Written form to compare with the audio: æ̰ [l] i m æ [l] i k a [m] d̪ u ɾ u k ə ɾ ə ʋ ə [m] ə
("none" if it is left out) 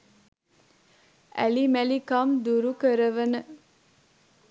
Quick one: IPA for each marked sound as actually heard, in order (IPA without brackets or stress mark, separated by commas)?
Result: l, l, m, n